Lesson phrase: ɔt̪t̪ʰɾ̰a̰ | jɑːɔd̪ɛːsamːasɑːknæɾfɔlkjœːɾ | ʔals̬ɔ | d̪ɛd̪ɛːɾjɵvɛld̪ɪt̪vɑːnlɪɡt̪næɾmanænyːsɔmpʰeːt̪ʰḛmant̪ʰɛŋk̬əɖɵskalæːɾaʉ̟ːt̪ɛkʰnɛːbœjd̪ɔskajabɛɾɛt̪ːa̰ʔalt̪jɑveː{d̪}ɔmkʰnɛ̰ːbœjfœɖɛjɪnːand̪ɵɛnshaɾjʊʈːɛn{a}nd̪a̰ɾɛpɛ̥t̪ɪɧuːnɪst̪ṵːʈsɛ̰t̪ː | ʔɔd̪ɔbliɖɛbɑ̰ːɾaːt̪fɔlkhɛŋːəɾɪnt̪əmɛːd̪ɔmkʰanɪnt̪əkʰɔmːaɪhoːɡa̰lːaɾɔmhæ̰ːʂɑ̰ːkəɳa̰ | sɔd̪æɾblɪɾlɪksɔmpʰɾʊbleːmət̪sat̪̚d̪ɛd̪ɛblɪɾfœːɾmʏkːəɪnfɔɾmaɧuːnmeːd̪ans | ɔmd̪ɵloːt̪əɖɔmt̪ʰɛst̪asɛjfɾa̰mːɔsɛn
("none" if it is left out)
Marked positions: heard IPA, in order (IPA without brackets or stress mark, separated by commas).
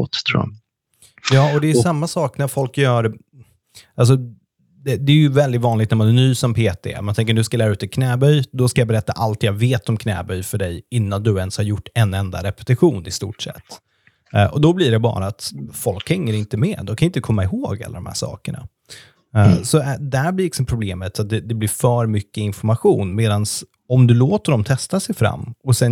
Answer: t̪, ɛ